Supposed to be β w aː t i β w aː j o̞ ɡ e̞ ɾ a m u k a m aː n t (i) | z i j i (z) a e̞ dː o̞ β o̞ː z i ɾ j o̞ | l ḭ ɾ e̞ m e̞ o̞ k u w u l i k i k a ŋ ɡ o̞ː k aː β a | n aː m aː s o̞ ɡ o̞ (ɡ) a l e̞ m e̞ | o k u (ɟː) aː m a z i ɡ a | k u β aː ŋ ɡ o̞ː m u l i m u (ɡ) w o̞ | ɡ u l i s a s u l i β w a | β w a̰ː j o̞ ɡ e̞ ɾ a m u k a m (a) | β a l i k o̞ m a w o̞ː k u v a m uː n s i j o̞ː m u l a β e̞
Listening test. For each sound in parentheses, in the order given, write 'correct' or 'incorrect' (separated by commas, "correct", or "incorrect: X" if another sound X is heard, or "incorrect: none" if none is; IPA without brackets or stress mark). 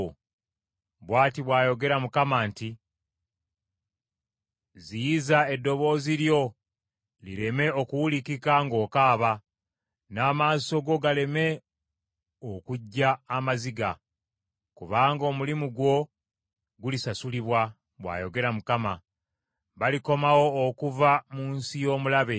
correct, correct, correct, correct, correct, correct